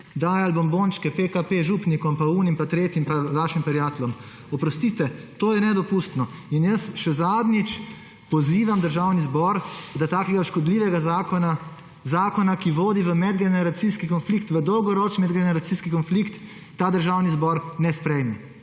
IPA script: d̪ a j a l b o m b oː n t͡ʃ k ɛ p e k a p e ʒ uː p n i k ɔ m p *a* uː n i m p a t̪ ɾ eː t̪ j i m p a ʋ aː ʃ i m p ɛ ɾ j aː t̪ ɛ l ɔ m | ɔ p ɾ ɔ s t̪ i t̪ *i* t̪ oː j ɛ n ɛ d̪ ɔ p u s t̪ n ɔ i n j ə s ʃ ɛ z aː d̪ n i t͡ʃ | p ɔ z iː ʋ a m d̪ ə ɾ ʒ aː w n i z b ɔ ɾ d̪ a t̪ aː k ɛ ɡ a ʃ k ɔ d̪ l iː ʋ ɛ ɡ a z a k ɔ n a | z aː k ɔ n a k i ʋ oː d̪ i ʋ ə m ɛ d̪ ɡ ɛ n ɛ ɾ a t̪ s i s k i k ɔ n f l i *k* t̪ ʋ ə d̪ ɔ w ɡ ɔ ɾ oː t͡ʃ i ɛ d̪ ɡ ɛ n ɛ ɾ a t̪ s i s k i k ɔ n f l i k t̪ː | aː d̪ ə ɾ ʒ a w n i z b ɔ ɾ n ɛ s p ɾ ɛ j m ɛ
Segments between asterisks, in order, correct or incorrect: correct, incorrect, correct

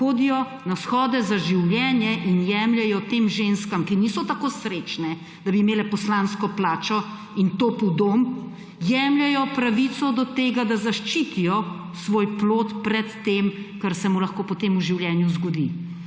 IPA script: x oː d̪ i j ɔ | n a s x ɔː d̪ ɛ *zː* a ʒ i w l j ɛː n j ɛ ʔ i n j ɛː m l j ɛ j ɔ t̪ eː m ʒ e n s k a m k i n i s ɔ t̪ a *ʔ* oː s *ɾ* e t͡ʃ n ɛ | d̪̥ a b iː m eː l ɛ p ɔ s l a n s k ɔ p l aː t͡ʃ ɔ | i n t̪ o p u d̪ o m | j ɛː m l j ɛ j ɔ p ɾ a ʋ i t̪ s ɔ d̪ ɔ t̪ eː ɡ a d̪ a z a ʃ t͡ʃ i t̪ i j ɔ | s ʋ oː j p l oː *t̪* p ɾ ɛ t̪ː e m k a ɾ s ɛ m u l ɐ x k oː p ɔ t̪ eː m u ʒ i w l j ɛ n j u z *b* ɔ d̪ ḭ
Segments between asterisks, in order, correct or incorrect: incorrect, incorrect, correct, correct, incorrect

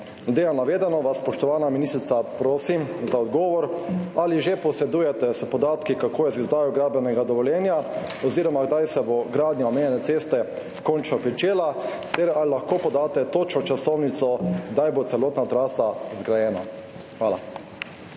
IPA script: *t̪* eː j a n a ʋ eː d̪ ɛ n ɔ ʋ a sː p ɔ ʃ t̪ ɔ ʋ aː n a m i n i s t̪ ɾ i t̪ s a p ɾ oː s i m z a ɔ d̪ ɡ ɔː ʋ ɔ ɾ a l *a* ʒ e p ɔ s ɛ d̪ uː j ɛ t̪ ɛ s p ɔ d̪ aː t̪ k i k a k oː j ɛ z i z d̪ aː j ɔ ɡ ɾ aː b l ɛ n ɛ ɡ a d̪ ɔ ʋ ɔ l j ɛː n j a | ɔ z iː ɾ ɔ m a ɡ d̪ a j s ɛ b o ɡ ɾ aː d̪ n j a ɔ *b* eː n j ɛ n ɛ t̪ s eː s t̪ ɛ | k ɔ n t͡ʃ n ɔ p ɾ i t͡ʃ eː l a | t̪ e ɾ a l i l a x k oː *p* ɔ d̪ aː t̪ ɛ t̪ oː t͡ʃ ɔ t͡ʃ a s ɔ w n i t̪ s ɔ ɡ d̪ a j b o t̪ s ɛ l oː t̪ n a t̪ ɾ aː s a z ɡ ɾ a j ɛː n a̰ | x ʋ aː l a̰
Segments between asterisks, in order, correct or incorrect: incorrect, incorrect, incorrect, correct

